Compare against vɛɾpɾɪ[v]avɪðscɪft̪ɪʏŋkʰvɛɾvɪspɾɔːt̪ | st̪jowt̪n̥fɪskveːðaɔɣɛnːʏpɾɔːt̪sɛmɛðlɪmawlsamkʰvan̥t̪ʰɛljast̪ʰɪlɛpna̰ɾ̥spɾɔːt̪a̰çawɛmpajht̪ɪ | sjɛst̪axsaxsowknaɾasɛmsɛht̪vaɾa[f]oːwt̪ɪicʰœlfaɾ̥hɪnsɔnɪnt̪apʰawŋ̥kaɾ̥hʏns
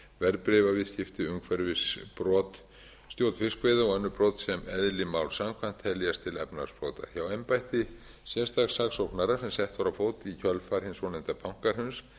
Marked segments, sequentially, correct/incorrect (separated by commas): correct, correct